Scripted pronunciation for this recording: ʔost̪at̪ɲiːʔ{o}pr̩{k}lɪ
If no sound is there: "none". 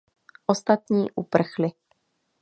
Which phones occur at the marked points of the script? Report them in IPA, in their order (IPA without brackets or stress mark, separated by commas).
u, x